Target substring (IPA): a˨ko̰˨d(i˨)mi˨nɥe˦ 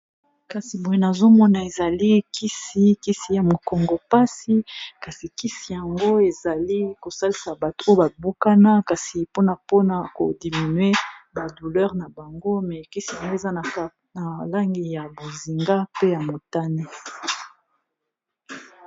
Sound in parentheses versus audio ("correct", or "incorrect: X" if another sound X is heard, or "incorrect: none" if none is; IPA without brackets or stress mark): correct